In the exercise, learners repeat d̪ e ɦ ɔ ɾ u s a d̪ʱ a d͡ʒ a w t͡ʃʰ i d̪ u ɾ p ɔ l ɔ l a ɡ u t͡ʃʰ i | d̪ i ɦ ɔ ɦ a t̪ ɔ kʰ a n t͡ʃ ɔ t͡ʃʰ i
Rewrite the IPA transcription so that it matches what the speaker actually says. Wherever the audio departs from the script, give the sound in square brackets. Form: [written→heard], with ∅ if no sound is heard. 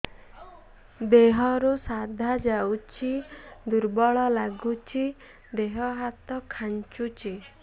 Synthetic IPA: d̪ e ɦ ɔ ɾ u s a d̪ʱ a d͡ʒ a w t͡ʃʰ i d̪ u ɾ [p→b] ɔ [l→ɭ] ɔ l a ɡ u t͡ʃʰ i | d̪ [i→e] ɦ ɔ ɦ a t̪ ɔ kʰ a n t͡ʃ [ɔ→u] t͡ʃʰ i